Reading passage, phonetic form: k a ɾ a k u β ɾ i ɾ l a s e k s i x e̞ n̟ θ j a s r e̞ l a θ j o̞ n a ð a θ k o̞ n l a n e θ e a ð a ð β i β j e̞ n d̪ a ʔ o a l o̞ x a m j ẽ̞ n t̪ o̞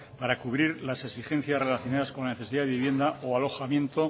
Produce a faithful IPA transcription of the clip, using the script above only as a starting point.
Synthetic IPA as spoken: p a ɾ a k u β ɾ i ɾ l a s e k s i x e̞ n̟ θ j a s r e̞ l a θ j o̞ n a ð a s k o̞ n l a n e θ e i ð a ð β i β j e̞ n d̪ a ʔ o a l o̞ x a m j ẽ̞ n t̪ o̞

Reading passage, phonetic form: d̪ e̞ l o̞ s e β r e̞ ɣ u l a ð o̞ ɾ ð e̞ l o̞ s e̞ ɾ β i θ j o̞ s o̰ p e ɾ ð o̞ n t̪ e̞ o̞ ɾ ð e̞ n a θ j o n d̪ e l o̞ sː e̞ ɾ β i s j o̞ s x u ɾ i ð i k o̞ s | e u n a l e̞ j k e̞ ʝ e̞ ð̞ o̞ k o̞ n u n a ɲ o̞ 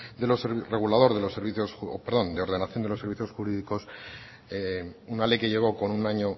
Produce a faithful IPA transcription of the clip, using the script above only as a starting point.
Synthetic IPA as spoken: d̪ e̞ l o̞ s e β r e̞ ɣ u l a ð o̞ ɾ ð e̞ l o̞ s e̞ ɾ β i θ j o̞ s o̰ p e ɾ ð o̞ n d̪ e̞ o̞ ɾ ð e̞ n a θ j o n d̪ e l o̞ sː e̞ ɾ β i θ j o̞ s x u ɾ i ð i k o̞ s | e u n a l e̞ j k e̞ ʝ e̞ ɣ̞ o̞ k o̞ n u n a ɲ o̞

